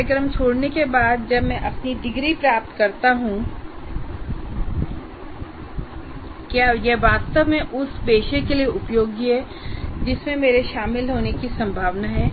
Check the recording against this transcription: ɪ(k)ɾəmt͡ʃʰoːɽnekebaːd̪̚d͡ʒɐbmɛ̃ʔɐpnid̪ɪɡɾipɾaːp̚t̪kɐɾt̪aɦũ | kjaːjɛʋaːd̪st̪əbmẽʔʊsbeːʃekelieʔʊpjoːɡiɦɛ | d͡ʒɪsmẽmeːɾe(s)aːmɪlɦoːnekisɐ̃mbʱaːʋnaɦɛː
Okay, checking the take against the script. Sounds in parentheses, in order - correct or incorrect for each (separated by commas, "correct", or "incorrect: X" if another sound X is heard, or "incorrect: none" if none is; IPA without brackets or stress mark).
correct, incorrect: ʃ